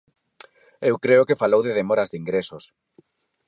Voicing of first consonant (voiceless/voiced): voiced